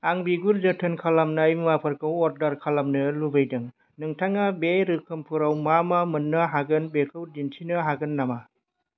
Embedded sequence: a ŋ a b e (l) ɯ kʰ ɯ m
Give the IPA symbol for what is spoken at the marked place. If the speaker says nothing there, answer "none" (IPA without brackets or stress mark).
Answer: ɾ